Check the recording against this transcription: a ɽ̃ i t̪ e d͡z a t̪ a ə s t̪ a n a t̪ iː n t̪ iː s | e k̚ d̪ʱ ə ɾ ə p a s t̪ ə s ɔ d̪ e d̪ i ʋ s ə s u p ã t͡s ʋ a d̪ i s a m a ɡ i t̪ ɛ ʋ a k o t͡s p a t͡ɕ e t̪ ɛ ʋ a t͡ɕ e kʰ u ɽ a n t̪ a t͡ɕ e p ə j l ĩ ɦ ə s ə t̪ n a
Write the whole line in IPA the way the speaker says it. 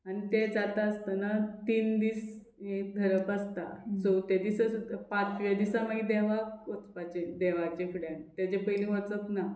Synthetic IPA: a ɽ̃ i t̪ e d͡z a t̪ a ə s t̪ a n a t̪ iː n d̪ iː s | e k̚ d̪ʱ ə ɾ ə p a s t̪ a s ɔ t̪ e d̪ i s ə s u p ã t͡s ʋ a d̪ i s a m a ɡ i d̪ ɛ ʋ a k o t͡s p a t͡ɕ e d̪ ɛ ʋ a t͡ɕ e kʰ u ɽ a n t̪ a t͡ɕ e p ə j l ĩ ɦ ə t͡s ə t̪ n a